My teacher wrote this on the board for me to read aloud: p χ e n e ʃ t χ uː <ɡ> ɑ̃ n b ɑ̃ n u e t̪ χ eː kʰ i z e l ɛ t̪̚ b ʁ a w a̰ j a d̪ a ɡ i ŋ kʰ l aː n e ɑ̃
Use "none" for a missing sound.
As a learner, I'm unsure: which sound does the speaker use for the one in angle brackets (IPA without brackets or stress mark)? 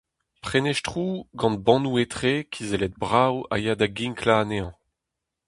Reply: ɡ